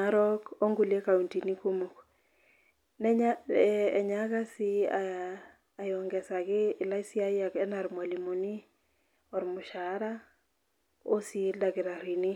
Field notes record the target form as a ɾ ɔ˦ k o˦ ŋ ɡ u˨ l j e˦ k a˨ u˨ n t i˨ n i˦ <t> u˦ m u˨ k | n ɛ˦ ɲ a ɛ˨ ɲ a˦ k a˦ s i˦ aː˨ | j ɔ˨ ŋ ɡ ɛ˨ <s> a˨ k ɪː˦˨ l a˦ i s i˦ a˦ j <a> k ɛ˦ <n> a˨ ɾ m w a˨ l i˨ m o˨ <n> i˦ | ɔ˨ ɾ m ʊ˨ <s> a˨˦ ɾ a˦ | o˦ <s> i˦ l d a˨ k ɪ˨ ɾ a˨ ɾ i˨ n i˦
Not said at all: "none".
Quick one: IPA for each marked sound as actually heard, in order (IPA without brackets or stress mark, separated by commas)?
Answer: k, s, a, n, n, ʃ, s